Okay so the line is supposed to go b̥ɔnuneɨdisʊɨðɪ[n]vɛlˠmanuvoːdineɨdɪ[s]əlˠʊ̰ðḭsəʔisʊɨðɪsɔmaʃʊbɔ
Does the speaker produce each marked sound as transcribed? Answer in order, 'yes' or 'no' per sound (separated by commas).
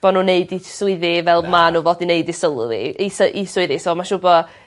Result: no, yes